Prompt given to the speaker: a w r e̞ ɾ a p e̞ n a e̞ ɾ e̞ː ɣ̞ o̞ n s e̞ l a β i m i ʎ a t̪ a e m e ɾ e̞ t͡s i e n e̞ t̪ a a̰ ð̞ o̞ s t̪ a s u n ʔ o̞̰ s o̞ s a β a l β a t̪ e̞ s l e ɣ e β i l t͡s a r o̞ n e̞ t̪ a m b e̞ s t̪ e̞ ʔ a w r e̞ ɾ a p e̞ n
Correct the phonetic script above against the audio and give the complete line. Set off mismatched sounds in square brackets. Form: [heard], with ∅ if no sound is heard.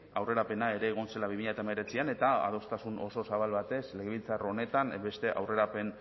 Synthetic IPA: a w r e̞ ɾ a p e̞ n a e̞ ɾ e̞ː ɣ̞ o̞ n s e̞ l a β i m i ʎ a t̪ a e m e ɾ e̞ t͡s i [a] n e̞ t̪ a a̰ ð̞ o̞ s t̪ a s u n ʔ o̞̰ s o̞ s a β a l β a t̪ e̞ s l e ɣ e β i l t͡s a r o̞ n e̞ t̪ a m b e̞ s t̪ e̞ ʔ a w r e̞ ɾ a p e̞ n